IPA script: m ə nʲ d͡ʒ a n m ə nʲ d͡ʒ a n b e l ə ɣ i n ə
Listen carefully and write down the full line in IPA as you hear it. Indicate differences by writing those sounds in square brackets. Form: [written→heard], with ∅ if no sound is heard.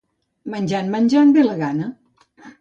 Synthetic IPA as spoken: m ə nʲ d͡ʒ a n m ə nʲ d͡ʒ a n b e l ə ɣ [i→a] n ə